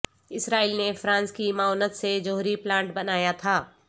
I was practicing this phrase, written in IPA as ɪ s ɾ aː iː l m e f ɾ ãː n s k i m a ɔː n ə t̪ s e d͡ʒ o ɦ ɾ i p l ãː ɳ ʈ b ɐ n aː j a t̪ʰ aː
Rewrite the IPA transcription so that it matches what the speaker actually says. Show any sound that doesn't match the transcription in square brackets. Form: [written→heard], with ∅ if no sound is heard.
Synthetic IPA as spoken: ɪ s ɾ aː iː l [m→n] e f ɾ ãː n s k i m a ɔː n ə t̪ s e d͡ʒ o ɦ ɾ i p l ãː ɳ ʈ b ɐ n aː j a t̪ʰ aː